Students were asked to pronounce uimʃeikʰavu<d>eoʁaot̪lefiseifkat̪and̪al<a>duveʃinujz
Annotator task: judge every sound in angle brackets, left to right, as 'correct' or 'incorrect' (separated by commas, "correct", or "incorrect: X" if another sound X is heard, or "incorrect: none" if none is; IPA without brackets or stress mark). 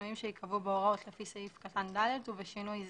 incorrect: b, incorrect: e